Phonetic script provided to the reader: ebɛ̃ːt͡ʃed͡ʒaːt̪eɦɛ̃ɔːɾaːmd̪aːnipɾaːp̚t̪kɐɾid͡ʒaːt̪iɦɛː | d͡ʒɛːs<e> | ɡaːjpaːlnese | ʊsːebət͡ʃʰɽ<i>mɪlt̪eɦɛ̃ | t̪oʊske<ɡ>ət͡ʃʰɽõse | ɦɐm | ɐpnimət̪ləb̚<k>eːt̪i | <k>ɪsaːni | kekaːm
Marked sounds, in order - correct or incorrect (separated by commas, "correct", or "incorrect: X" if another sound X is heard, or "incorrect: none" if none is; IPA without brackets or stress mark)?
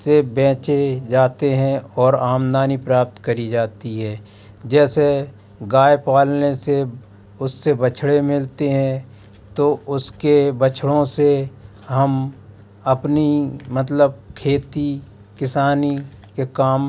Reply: correct, incorrect: e, incorrect: b, incorrect: kʰ, correct